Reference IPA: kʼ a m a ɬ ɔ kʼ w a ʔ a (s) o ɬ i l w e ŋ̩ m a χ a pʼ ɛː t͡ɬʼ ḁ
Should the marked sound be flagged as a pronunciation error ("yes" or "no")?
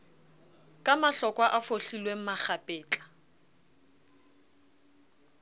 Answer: yes